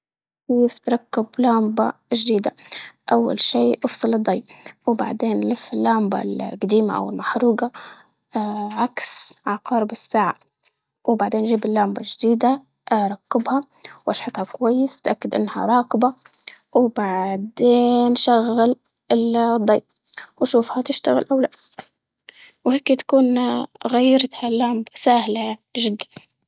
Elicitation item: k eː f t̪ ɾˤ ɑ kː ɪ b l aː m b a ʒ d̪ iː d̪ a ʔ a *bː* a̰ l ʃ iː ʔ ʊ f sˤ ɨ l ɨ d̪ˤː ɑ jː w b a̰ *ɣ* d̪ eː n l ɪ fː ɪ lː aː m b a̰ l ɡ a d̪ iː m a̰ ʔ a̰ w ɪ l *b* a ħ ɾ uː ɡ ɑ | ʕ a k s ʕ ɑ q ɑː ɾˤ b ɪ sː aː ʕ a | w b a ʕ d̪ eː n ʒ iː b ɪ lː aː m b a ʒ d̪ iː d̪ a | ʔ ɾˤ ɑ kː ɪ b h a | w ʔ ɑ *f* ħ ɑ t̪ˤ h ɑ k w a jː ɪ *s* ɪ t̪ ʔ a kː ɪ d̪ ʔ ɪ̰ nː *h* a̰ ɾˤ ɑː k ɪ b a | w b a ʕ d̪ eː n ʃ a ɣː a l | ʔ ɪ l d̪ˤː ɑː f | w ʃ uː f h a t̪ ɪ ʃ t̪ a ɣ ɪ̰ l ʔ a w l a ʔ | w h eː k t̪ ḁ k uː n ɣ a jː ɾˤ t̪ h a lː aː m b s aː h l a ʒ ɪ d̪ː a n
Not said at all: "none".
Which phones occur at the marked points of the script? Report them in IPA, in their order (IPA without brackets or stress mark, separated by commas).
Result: wː, ʕ, m, ʃ, s, h